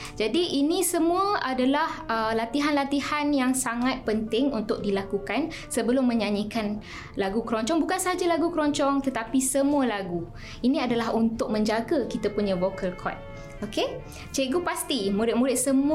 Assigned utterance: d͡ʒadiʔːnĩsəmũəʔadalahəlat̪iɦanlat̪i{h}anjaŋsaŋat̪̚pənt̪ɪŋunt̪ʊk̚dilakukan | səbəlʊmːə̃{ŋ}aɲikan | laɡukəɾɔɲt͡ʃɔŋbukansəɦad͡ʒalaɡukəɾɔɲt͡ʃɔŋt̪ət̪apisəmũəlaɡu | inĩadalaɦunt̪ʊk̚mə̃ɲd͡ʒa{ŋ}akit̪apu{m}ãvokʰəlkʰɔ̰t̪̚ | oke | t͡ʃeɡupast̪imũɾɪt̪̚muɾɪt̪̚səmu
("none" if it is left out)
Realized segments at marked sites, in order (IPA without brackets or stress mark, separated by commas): h, ɲ, ɡ, ɲ